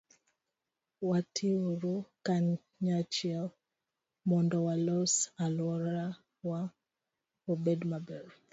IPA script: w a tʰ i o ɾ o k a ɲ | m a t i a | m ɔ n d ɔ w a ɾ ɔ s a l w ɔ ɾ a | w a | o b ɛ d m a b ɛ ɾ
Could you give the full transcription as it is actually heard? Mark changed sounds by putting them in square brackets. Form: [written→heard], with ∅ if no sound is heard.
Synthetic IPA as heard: w a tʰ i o ɾ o k a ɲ | [m→ɲ] a [t→t͡ʃ] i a | m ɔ n d ɔ w a [ɾ→l] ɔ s a l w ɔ ɾ a | w a | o b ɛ d m a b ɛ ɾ

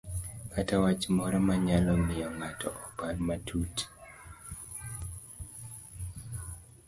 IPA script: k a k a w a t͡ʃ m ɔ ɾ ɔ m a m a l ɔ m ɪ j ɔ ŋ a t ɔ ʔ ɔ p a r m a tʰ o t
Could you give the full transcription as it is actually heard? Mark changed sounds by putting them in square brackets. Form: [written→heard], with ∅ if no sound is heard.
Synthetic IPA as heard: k a [k→t] a w a t͡ʃ m ɔ ɾ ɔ m a [m→ɲ] a l ɔ m ɪ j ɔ ŋ a t ɔ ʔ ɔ p a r m a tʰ [o→u] t

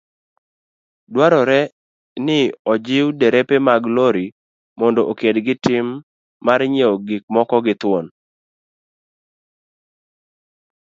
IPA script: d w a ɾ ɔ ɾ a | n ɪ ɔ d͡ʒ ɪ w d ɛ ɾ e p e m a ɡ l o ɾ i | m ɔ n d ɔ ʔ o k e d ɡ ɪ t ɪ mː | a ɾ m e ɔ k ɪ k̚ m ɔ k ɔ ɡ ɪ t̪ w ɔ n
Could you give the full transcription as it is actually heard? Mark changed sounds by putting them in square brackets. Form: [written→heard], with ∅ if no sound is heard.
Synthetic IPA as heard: d w a ɾ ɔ ɾ [a→ɛ] | n ɪ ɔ d͡ʒ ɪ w d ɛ ɾ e p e m a ɡ l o ɾ i | m ɔ n d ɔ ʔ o k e d ɡ ɪ t ɪ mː | a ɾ [m→ɲ] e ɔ [k→ɡ] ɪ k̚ m ɔ k ɔ ɡ ɪ t̪ w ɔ n

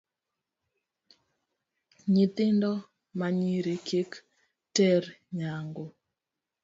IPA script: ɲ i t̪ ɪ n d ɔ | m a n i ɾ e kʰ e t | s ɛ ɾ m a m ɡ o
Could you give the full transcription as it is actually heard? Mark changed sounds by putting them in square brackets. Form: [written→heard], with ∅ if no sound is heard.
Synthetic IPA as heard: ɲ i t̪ ɪ n d ɔ | m a [n→ɲ] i ɾ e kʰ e [t→k] | [s→t] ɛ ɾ [m→ɲ] a [m→ŋ] ɡ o

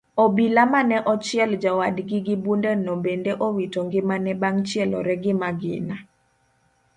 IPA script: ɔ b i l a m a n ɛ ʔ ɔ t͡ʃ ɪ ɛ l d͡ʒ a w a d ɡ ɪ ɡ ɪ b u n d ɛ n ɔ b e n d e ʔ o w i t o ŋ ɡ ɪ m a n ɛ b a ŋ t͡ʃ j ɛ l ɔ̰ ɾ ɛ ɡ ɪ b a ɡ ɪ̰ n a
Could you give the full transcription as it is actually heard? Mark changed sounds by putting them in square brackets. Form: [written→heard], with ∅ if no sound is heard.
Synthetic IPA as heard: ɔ b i l a m a n ɛ ʔ ɔ t͡ʃ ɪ ɛ l d͡ʒ a w a d ɡ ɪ ɡ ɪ b u n d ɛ n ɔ b e n d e ʔ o w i t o ŋ ɡ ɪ m a n ɛ b a ŋ t͡ʃ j ɛ l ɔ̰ ɾ ɛ ɡ ɪ [b→m] a ɡ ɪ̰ n a

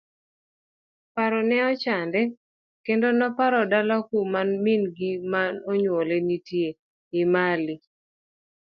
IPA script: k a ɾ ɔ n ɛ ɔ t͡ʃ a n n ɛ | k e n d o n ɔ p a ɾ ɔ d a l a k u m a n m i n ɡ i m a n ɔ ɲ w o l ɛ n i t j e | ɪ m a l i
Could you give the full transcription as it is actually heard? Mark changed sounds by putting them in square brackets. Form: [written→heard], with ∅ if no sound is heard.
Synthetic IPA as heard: [k→p] a ɾ ɔ n ɛ ɔ t͡ʃ a n [n→d] ɛ | k e n d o n ɔ p a ɾ ɔ d a l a k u m a n m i n ɡ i m a n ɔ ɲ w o l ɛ n i t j e | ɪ m a l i

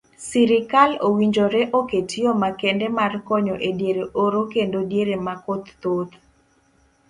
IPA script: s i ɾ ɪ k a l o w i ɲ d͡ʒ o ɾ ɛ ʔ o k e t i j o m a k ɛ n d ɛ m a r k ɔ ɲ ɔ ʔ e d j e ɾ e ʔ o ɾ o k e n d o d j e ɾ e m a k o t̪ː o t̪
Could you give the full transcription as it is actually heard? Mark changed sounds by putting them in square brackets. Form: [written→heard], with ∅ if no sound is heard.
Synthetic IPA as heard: s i ɾ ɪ k a l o w i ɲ d͡ʒ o ɾ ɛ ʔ o k e t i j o m a k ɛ n d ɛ m a r k ɔ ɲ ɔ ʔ e d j e ɾ e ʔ o ɾ o k e n d o d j e ɾ e m a k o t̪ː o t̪

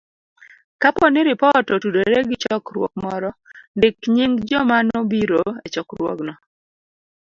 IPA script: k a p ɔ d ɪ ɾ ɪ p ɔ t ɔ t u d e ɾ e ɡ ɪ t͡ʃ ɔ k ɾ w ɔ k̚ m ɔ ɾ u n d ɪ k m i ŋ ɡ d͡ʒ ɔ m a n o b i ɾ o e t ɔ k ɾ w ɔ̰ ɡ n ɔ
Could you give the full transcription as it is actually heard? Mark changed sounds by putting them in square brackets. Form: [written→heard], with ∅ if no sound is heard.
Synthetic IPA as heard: k a p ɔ [d→n] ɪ ɾ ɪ p ɔ t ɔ t u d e ɾ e ɡ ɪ t͡ʃ ɔ k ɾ w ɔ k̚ m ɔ ɾ [u→ɔ] n d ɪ k [m→ɲ] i ŋ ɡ d͡ʒ ɔ m a n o b i ɾ o e [t→t͡ʃ] ɔ k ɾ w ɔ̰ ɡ n ɔ

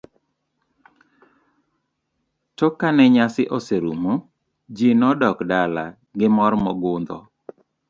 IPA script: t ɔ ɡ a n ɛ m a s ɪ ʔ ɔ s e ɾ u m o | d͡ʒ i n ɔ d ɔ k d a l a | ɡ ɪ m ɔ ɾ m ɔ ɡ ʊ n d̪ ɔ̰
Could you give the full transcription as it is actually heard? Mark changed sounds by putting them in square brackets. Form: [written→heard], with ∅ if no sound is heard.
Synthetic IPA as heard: t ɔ [ɡ→k] a n ɛ [m→ɲ] a s ɪ ʔ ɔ s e ɾ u m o | d͡ʒ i n ɔ d ɔ k d a l a | ɡ ɪ m ɔ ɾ m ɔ ɡ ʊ n d̪ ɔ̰

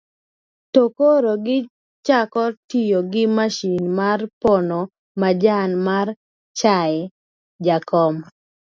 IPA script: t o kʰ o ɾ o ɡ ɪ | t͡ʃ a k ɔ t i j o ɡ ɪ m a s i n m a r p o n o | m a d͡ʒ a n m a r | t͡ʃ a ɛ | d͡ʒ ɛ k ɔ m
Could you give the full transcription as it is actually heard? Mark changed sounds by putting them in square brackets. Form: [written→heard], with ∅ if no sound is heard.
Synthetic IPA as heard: t o [kʰ→k] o ɾ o ɡ ɪ | t͡ʃ a k ɔ t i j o ɡ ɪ m a [s→ʃ] i n m a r p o n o | m a d͡ʒ a n m a r | t͡ʃ a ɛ | d͡ʒ [ɛ→a] k ɔ m

